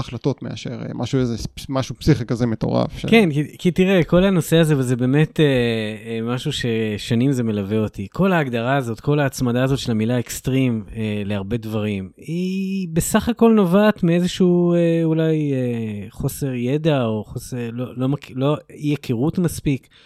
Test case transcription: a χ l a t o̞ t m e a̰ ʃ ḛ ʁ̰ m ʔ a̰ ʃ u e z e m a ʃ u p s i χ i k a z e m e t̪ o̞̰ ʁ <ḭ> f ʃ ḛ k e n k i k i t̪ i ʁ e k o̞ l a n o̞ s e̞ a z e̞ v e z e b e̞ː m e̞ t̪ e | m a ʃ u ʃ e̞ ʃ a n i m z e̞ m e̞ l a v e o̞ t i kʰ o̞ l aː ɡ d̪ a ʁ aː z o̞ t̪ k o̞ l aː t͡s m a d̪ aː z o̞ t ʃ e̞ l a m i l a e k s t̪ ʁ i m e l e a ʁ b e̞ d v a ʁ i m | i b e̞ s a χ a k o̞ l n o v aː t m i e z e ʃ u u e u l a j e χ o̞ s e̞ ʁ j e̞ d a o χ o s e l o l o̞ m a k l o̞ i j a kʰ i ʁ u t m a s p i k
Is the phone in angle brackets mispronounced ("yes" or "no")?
yes